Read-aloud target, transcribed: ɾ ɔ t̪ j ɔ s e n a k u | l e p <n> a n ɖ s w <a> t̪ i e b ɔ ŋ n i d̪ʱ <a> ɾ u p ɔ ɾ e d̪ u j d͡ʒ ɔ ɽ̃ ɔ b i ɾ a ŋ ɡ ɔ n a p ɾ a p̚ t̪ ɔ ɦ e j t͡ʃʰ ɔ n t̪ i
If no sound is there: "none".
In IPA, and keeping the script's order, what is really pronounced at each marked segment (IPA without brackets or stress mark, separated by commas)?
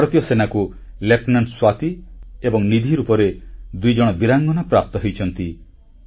n, a, i